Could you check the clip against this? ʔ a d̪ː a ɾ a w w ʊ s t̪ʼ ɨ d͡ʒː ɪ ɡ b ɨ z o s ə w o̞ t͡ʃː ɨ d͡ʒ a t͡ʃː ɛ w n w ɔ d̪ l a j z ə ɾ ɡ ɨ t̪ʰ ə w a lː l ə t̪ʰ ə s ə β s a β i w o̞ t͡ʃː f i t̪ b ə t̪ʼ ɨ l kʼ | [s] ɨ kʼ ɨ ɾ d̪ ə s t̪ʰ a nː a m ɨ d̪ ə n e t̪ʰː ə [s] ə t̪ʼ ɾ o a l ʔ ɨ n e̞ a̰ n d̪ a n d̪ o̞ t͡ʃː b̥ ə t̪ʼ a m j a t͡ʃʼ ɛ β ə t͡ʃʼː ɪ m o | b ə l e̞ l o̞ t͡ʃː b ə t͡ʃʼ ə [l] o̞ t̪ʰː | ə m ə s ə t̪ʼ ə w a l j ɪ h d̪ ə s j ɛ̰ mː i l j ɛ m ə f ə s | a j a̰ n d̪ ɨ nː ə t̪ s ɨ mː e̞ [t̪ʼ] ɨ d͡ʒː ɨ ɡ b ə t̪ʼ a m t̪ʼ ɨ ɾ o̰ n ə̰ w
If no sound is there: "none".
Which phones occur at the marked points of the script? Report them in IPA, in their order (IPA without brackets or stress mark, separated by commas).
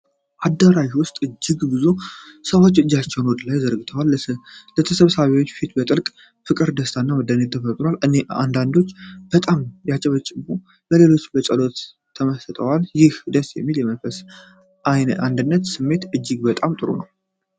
f, f, l, t̪